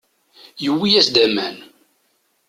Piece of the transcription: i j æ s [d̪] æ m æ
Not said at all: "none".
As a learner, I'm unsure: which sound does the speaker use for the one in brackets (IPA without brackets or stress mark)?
d̪